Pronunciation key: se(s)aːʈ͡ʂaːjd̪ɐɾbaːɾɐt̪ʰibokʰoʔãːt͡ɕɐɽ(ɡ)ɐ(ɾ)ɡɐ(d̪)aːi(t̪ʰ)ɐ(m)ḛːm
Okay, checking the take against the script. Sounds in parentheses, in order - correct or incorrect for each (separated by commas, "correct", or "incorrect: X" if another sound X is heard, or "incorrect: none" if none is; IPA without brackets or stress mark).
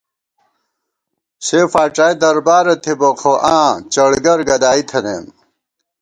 incorrect: f, correct, correct, correct, correct, incorrect: n